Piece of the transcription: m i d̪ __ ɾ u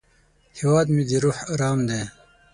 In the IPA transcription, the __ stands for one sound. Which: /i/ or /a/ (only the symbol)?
i